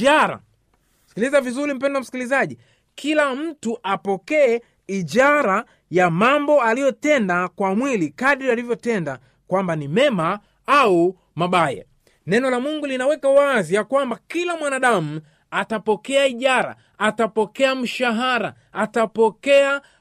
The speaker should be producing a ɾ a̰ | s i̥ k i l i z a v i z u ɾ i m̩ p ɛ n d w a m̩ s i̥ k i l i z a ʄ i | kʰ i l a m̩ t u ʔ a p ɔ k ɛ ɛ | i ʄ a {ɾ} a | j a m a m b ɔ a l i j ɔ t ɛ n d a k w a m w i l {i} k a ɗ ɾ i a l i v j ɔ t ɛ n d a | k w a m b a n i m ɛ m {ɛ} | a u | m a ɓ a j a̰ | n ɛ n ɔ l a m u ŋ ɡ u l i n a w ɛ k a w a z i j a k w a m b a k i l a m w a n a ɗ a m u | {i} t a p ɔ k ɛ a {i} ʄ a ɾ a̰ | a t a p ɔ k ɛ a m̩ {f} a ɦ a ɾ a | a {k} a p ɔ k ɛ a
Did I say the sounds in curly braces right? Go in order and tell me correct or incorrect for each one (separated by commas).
correct, correct, incorrect, incorrect, correct, incorrect, incorrect